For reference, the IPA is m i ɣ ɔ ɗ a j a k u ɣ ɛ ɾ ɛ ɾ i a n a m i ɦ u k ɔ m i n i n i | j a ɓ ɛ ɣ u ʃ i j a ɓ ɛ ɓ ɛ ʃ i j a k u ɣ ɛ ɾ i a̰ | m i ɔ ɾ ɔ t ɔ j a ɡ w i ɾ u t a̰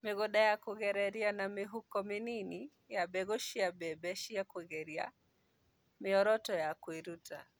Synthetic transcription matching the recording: m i ɣ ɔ ɗ a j a k u ɣ ɛ ɾ ɛ ɾ i a n a m i ɦ u k ɔ m i n i n i | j a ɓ ɛ ɣ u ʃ i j a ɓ ɛ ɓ ɛ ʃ i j a k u ɣ ɛ ɾ i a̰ | m i ɔ ɾ ɔ t ɔ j a k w i ɾ u t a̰